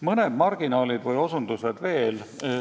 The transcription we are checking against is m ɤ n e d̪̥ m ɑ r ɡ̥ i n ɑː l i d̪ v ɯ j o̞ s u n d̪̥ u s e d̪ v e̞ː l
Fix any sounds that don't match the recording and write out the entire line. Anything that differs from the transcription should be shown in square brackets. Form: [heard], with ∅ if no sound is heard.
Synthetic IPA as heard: m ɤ n e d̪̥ m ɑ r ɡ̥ i n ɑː l i d̪ v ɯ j o̞ s u n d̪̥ u s e d̪ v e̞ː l